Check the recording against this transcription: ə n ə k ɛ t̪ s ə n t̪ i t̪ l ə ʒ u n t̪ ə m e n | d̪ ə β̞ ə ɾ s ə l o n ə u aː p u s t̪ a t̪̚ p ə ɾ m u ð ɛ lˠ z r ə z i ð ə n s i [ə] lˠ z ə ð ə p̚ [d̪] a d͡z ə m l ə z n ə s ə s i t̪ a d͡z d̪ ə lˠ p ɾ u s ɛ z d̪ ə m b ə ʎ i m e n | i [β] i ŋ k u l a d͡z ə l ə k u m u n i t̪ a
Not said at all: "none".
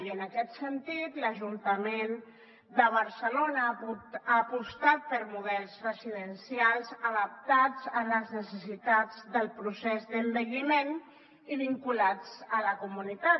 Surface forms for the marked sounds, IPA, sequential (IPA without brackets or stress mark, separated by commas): a, t̪, β